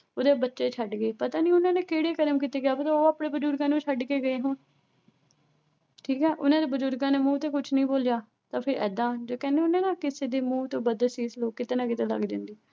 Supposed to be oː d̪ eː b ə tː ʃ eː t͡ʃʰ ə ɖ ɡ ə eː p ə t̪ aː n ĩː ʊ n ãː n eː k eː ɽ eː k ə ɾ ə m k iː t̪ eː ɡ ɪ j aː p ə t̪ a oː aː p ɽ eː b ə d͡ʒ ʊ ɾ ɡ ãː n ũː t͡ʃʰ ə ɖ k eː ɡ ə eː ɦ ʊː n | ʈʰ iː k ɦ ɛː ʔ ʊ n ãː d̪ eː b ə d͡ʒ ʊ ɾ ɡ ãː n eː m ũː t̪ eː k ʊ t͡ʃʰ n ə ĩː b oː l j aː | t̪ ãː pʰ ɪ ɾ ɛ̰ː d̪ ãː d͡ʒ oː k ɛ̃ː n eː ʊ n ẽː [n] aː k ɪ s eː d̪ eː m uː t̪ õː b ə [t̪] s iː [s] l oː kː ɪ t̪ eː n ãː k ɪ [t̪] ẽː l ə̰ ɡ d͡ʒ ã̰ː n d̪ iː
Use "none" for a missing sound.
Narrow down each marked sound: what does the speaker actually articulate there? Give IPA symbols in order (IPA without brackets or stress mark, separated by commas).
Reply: n, d̪, s, t̪